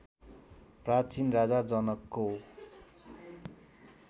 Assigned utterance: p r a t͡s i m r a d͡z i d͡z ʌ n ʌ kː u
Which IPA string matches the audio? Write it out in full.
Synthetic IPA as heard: p r a t͡s i n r a d͡z a d͡z ʌ n ʌ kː o